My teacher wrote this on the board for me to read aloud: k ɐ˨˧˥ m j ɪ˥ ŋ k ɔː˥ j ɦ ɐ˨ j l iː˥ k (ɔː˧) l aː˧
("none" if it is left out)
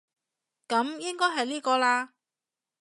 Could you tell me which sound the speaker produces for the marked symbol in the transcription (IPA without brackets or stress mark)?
ɔː˧